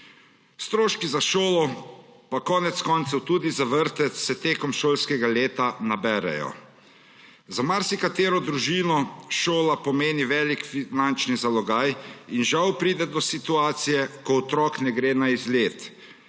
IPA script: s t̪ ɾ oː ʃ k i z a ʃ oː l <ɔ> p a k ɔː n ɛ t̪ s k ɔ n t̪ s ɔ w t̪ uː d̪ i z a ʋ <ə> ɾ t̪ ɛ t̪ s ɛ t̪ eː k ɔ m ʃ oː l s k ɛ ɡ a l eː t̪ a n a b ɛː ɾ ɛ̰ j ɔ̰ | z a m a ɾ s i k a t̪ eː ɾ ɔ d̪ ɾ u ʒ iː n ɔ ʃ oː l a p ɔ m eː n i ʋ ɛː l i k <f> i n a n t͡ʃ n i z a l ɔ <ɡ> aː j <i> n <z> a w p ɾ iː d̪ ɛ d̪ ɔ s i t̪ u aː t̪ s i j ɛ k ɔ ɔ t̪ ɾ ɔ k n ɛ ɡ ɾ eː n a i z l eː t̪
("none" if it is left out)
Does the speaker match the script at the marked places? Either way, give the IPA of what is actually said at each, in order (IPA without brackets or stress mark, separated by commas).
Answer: ɔ, ə, f, ɡ, i, ʒ